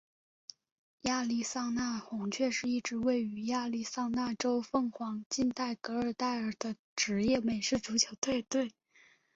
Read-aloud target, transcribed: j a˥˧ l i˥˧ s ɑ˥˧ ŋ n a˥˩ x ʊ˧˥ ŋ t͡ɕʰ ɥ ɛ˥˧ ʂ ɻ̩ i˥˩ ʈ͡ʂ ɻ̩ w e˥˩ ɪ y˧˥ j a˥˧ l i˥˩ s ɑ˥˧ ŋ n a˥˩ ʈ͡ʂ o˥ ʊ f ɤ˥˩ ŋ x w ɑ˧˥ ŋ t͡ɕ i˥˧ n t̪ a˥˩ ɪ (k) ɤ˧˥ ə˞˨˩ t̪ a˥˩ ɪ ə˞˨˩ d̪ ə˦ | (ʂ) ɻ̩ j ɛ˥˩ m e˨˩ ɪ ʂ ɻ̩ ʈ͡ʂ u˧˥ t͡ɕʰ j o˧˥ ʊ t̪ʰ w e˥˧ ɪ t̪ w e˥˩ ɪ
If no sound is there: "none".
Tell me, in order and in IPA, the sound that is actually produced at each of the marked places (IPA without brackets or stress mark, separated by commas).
k, ʈ͡ʂ